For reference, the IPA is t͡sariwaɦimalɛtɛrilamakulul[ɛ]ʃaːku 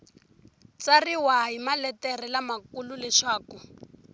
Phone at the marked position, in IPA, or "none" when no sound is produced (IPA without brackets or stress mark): ɛ